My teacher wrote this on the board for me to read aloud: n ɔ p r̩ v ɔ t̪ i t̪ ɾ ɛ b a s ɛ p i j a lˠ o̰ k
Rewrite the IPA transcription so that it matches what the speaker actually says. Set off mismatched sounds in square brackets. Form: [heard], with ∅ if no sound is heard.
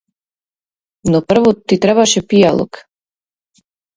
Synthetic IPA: n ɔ p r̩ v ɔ t̪ i t̪ ɾ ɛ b a [ʃ] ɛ p i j a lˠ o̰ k